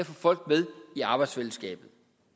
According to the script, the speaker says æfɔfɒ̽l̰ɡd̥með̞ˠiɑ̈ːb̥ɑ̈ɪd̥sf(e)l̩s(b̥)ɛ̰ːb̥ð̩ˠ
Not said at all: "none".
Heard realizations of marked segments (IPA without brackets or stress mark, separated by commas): e, ɡ̥